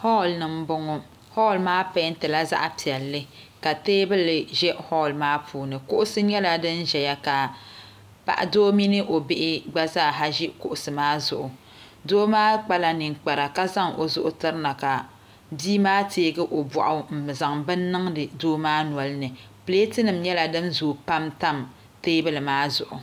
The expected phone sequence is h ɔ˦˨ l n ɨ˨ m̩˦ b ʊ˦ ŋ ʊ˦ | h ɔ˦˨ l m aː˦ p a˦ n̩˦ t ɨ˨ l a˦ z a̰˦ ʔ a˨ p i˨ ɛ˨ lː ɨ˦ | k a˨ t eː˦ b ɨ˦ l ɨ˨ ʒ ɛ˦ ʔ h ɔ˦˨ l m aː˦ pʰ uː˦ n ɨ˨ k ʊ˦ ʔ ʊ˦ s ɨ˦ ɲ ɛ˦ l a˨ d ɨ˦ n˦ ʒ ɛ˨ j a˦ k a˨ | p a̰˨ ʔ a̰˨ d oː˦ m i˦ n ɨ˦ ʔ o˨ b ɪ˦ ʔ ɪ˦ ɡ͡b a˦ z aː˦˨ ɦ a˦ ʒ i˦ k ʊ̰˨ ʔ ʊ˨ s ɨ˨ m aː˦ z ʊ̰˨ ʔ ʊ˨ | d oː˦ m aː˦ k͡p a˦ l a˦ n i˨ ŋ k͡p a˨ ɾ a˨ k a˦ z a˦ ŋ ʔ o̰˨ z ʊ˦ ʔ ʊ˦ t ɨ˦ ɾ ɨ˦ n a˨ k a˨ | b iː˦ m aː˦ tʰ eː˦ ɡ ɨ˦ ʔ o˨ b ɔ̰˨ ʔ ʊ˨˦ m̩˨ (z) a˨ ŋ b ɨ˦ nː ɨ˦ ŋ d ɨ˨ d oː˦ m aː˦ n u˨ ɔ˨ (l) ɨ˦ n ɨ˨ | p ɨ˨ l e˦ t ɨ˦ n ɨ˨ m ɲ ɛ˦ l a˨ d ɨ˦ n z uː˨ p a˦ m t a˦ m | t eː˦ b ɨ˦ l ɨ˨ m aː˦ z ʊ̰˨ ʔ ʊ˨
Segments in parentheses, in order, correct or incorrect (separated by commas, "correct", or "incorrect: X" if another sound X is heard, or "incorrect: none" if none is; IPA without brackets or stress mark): correct, correct